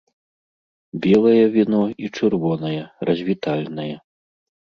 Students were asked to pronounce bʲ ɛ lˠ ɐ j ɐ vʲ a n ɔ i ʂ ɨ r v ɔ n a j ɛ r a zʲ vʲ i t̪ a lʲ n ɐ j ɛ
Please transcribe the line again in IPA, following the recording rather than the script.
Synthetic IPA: bʲ ɛ lˠ ɐ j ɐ vʲ i n ɔ i t͡ʂ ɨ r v ɔ n ɐ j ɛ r ɐ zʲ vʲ i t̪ a lʲ n ɐ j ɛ

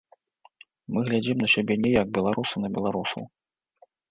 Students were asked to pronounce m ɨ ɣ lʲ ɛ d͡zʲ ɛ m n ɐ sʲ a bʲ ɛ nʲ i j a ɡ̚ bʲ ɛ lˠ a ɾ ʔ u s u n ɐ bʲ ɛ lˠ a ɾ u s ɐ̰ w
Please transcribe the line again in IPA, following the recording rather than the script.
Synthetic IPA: m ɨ ɣ lʲ a d͡zʲ i m n ɐ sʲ a bʲ ɛ nʲ ɛ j a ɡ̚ bʲ ɛ lˠ a ɾ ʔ u s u n ɐ bʲ ɛ lˠ a ɾ u s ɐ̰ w

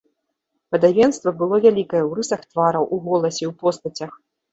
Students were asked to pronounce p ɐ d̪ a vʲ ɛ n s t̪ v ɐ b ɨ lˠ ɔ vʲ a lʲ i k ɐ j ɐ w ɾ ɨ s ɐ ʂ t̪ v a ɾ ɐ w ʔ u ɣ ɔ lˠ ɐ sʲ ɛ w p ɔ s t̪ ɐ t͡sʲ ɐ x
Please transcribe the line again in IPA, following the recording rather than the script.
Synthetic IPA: p ɐ d̪ a vʲ ɛ n s t̪ v ɐ b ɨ lˠ ɔ vʲ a lʲ i k ɐ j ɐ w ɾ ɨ s ɐ x t̪ v a ɾ ɐ w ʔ u ɣ ɔ lˠ ɐ sʲ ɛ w p ɔ s t̪ ɐ t͡sʲ ɐ x

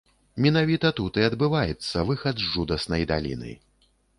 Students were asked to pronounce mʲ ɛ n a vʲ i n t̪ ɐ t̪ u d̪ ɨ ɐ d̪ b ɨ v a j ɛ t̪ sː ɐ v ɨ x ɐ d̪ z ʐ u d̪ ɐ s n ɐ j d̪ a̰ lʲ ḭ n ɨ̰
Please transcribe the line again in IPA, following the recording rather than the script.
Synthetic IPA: mʲ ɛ n a vʲ i t̪ ɐ t̪ u t̪ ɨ ɐ d̪ b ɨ v a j ɛ t̪ sː ɐ v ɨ x ɐ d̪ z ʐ u d̪ ɐ s n ɐ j d̪ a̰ lʲ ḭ n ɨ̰

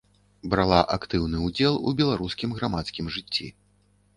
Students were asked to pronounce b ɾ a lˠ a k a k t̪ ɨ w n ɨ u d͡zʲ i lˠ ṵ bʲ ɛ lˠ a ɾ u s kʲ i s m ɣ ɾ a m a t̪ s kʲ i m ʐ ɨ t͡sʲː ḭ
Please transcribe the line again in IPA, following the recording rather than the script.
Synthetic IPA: b ɾ a lˠ a ʔ a k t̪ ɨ w n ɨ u d͡zʲ ɛ lˠ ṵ bʲ ɛ lˠ a ɾ u s kʲ i m ɣ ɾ a m a t̪ s kʲ i m ʐ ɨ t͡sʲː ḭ

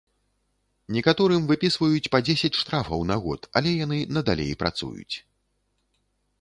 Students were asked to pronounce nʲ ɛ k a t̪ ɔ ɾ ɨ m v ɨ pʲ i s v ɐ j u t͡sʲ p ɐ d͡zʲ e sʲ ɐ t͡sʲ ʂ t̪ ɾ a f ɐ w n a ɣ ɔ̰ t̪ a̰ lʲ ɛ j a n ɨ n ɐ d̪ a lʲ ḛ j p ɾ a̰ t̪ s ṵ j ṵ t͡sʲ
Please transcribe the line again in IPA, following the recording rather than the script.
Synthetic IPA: nʲ ɛ k a t̪ ɔ ɾ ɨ m v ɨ pʲ i s v ɐ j u t͡sʲ p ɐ d͡zʲ e sʲ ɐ t͡sʲ ʂ t̪ ɾ a f ɐ w n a ɣ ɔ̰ t̪ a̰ lʲ ɛ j a n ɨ n ɐ d̪ a lʲ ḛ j p ɾ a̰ t̪ s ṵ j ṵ t͡sʲ

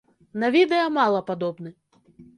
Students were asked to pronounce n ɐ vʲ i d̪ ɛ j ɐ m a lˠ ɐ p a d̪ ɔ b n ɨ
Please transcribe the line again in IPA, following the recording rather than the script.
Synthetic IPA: n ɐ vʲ i d̪ ɛ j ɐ m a lˠ ɐ p a d̪ ɔ b n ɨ

